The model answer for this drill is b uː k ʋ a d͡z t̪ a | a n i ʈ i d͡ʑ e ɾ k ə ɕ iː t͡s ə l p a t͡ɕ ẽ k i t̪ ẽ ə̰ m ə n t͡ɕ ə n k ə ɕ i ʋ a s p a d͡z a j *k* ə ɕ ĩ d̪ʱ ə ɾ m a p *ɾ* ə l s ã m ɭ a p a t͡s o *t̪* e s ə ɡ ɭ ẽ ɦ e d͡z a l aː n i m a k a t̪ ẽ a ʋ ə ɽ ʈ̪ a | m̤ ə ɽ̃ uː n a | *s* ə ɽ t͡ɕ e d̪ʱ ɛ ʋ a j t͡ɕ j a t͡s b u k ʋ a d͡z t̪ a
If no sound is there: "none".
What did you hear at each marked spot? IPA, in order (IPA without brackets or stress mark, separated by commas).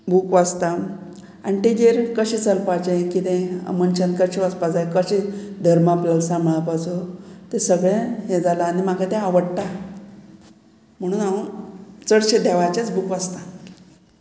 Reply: k, l, t̪, t͡s